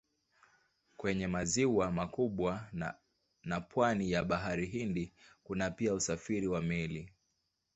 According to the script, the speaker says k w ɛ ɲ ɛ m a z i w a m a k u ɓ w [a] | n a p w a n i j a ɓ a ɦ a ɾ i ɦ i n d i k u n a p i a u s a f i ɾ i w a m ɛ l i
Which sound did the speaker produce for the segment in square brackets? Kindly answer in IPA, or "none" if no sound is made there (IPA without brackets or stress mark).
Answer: a